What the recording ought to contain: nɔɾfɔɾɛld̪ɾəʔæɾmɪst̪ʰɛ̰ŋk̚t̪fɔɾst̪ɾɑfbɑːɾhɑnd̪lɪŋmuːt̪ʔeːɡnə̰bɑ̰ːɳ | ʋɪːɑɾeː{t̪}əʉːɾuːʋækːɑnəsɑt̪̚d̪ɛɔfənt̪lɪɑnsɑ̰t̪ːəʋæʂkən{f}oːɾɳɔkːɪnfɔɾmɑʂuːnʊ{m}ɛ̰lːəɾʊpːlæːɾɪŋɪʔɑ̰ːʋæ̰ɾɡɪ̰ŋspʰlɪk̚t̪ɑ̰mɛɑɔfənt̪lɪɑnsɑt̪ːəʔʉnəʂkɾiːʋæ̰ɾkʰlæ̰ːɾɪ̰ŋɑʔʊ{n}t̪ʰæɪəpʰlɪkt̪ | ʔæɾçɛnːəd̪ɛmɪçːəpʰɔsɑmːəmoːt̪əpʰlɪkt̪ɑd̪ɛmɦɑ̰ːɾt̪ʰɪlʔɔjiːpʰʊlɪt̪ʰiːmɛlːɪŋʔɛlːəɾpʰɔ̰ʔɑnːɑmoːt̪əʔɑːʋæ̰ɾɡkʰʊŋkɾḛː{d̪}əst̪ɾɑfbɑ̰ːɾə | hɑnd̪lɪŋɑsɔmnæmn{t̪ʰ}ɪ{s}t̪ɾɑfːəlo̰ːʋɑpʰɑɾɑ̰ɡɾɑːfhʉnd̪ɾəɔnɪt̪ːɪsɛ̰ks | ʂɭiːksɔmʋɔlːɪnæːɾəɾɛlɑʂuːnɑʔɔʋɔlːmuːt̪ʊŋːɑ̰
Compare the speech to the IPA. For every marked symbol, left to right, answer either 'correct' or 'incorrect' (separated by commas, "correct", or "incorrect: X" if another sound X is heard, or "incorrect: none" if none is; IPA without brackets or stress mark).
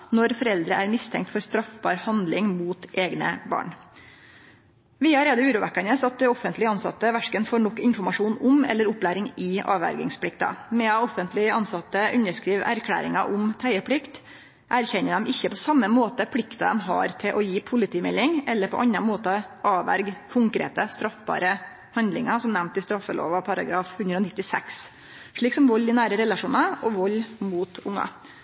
incorrect: d̪, correct, correct, incorrect: m, incorrect: t̪, incorrect: t̪, correct